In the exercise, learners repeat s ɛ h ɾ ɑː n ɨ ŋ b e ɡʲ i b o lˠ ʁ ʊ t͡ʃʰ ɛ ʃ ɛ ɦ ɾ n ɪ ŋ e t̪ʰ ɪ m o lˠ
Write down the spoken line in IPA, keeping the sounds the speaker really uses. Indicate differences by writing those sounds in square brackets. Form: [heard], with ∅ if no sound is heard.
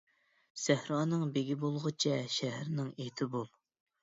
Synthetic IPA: s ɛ h ɾ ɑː n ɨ ŋ b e ɡʲ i b o lˠ ʁ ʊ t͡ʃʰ ɛ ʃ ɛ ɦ ɾ n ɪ ŋ e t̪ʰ ɪ [b] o lˠ